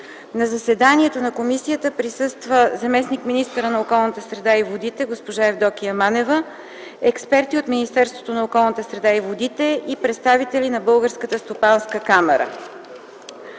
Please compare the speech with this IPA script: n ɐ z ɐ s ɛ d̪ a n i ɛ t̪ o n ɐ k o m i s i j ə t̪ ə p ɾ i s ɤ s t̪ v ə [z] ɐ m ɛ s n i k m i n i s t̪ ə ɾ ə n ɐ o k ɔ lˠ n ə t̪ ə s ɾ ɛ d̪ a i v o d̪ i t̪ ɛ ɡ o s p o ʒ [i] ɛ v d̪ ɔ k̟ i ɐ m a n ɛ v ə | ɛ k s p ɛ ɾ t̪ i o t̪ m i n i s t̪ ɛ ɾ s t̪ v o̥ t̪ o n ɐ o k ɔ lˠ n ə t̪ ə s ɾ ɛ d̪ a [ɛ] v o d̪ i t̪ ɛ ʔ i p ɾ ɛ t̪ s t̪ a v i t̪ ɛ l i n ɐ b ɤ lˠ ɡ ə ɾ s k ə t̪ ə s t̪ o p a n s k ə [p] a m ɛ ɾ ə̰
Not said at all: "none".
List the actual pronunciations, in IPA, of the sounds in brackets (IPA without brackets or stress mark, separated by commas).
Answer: z, a, i, k